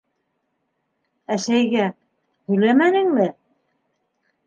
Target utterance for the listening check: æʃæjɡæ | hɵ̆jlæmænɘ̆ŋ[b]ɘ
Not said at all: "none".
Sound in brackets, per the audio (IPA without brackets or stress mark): m